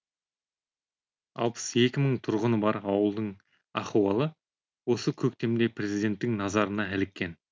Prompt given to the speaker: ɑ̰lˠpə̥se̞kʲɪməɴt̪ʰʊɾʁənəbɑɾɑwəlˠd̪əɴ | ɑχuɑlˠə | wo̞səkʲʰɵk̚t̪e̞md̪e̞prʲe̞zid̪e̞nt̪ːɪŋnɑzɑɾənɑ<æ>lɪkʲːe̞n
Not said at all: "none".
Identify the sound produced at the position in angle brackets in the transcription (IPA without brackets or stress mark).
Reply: æ